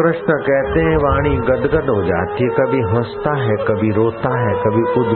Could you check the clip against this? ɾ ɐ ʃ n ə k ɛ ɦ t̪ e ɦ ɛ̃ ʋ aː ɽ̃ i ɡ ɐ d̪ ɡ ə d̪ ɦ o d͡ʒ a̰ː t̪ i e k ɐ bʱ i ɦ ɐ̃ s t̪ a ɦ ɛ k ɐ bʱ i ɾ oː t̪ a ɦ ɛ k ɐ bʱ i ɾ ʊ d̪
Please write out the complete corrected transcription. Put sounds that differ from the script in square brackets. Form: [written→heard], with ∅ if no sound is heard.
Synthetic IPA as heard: ɾ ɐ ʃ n ə k ɛ ɦ t̪ e ɦ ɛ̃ ʋ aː ɽ̃ i ɡ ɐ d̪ ɡ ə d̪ ɦ o d͡ʒ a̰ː t̪ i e k ɐ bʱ i ɦ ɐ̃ s t̪ a ɦ ɛ k ɐ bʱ i ɾ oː t̪ a ɦ ɛ k ɐ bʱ i [ɾ→∅] ʊ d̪